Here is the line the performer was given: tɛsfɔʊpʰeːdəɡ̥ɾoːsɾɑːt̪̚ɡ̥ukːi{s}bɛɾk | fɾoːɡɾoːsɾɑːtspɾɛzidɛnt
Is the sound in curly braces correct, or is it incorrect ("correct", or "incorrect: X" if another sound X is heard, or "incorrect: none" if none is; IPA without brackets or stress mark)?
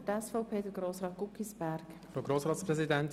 correct